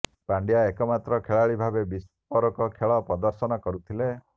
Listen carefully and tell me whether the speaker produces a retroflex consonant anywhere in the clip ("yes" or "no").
yes